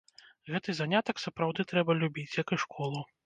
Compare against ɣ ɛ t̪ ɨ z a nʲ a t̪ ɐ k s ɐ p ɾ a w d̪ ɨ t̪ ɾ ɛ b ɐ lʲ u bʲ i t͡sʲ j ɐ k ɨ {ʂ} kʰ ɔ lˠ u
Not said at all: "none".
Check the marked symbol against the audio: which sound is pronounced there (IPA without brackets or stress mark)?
ʂ